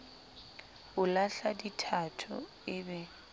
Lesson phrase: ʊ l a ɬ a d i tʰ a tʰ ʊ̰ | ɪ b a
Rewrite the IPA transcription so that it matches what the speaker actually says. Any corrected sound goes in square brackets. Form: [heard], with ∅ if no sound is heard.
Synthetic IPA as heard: ʊ l a ɬ a d i tʰ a tʰ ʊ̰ | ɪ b [ɛ]